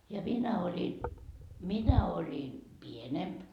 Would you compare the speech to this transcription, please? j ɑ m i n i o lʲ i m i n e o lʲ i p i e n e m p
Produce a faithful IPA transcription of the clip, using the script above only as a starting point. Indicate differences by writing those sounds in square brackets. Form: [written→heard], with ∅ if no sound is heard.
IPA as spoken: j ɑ m i n [i→æ] o lʲ i m i n [e→æ] o lʲ i p i e n e m p